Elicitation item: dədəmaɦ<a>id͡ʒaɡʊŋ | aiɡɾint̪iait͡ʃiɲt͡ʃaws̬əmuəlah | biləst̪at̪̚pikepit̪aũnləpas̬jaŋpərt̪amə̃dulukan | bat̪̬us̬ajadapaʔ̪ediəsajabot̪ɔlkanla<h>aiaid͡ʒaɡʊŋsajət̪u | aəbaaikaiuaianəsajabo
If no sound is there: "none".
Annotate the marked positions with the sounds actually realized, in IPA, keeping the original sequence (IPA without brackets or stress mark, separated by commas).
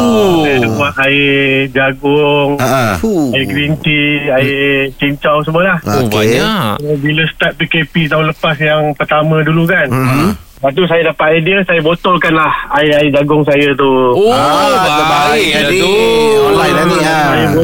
a, h